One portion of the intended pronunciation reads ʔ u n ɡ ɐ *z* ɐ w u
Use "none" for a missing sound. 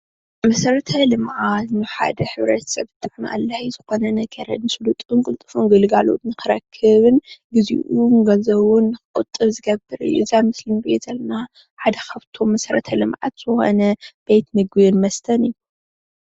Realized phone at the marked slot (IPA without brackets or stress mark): z